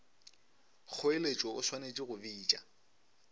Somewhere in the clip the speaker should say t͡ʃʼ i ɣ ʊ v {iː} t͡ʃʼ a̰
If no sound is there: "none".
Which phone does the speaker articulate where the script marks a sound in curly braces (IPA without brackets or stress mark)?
iː